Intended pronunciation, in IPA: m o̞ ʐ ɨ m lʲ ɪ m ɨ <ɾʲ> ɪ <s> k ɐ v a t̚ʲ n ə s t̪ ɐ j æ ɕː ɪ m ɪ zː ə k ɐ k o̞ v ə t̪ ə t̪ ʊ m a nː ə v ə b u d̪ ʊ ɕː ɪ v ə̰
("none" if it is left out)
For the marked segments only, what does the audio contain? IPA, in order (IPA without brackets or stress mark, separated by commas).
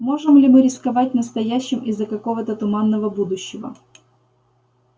ɾʲ, s